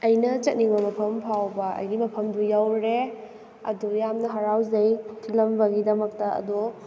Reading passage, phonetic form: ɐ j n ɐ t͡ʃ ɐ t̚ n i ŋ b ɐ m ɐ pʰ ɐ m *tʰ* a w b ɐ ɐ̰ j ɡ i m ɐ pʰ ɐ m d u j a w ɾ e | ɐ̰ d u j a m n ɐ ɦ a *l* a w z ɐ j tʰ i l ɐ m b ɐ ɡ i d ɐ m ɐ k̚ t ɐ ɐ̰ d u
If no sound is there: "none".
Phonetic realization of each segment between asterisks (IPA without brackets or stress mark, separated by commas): pʰ, ɾ